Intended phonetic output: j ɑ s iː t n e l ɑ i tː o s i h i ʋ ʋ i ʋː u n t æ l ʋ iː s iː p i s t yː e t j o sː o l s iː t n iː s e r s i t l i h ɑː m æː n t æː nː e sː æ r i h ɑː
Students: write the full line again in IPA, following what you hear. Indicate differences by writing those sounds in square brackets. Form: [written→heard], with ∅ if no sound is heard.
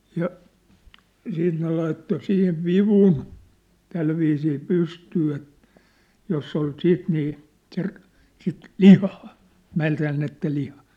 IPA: j ɑ s iː t n e l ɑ i tː o s i h i ʋ ʋ i [ʋː→ʋ] u n t æ l ʋ iː s iː p [i→y] s t yː e t j o sː o l s iː t n iː s e r s i t l i h ɑː m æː n t æː nː e [sː→tː] æ [r→l] i h ɑː